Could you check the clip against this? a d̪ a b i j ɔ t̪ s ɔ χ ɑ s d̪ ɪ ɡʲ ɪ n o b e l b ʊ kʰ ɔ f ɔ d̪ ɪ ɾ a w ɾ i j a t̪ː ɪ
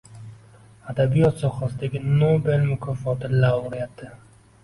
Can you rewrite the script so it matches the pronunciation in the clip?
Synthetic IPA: a d̪ a b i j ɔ t̪ s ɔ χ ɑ s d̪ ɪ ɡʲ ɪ n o b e l m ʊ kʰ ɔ f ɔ t̪ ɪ l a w ɾ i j a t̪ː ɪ

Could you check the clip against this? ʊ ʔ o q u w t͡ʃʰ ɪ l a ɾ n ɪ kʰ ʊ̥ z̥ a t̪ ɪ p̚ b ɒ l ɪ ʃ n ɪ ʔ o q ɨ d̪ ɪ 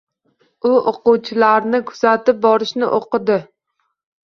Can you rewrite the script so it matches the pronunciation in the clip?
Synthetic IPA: ʊ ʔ o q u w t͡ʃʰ ɪ l a ɾ n ɪ kʰ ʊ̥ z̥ a t̪ ɪ p̚ b ɒ ɾ ɪ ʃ n ɪ ʔ o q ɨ d̪ ɪ

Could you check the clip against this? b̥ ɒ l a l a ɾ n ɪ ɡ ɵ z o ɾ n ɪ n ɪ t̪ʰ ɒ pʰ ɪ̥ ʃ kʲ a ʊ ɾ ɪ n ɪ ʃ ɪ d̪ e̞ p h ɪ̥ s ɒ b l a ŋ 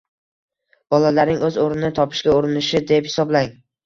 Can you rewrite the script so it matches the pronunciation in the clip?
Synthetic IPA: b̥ ɒ l a l a ɾ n ɪ ŋ ɵ z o ɾ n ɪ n ɪ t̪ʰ ɒ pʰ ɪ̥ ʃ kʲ a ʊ ɾ ɪ n ɪ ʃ ɪ d̪ e̞ p h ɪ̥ s ɒ b l a ŋ

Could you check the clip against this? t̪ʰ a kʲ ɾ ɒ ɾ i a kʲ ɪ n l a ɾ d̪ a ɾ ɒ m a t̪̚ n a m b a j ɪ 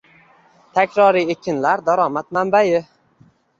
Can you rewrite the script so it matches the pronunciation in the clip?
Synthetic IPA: t̪ʰ a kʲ ɾ ɒ ɾ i e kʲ ɪ n l a ɾ d̪ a ɾ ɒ m a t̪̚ m a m b a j ɪ

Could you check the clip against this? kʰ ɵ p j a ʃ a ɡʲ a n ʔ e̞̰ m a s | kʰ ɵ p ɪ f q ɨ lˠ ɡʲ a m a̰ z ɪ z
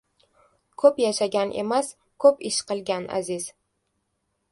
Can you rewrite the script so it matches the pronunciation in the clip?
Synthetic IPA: kʰ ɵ p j a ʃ a ɡʲ a n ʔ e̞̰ m a s | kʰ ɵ p ɪ ʃ q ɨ lˠ ɡʲ a n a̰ z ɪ z

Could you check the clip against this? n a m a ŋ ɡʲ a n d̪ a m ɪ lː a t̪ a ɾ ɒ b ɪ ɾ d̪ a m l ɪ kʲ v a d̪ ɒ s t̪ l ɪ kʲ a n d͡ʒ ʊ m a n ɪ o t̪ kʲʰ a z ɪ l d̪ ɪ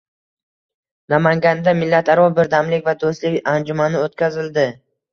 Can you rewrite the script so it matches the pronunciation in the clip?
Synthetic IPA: n a m a ŋ ɡʲ a n d̪ a m ɪ lː a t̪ a ɾ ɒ b ɪ ɾ d̪ a m l ɪ kʲ v a d̪ o s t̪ l ɪ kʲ a n d͡ʒ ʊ m a n ɪ o t̪ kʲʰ a z ɪ l d̪ ɪ

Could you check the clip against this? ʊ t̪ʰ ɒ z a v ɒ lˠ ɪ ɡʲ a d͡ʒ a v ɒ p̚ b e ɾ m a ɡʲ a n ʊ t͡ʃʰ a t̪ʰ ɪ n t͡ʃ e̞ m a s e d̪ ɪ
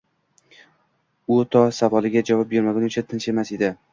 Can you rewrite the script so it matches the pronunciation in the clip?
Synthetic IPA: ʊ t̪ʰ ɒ s a v ɒ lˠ ɪ ɡʲ a d͡ʒ a v ɒ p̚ b e ɾ m a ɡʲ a n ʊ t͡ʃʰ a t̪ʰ ɪ n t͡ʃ e̞ m a s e d̪ ɪ

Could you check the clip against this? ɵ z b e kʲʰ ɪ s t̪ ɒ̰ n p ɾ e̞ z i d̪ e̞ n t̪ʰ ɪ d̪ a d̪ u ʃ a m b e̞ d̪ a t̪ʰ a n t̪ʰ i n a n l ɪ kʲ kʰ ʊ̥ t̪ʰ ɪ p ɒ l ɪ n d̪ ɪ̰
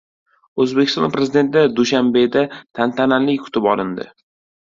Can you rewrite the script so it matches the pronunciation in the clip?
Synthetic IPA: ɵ z b e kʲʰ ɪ s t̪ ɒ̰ n p ɾ e̞ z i d̪ e̞ n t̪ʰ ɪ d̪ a d̪ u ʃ a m b e̞ d̪ a t̪ʰ a n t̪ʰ a n a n l ɪ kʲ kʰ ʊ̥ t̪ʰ ɪ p ɒ l ɪ n d̪ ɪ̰

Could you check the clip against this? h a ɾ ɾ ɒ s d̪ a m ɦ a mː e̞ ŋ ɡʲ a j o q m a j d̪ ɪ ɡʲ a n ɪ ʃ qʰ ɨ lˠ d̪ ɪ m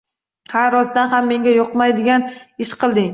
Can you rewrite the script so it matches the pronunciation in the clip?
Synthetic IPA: h a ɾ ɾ ɒ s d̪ a n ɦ a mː e̞ ŋ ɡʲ a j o q m a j d̪ ɪ ɡʲ a n ɪ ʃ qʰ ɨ lˠ d̪ ɪ ŋ

